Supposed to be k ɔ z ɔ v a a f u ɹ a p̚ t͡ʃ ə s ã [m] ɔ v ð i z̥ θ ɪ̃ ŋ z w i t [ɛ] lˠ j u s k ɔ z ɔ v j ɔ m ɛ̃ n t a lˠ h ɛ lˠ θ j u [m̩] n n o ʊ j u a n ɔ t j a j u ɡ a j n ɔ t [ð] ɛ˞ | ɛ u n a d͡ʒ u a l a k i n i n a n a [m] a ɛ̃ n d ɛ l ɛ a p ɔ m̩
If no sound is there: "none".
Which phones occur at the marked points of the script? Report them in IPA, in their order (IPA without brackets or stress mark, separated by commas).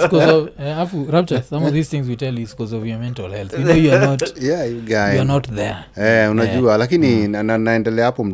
m, ɛ, none, ð, n